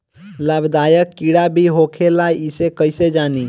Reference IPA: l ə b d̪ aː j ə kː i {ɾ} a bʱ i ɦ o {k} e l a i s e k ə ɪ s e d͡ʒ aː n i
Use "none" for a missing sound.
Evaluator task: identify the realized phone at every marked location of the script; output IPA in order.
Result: ɽ, kʰ

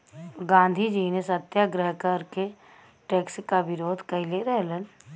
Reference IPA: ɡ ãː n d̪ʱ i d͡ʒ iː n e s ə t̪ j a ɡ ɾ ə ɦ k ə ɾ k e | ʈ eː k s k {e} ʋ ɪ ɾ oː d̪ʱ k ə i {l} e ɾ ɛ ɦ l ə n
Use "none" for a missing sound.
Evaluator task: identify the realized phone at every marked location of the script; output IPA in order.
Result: a, l

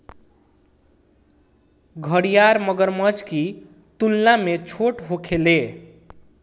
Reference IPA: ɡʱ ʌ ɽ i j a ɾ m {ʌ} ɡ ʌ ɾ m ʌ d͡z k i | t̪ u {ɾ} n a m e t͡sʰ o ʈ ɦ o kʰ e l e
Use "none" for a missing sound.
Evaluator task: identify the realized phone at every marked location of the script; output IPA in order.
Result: ʌ, l

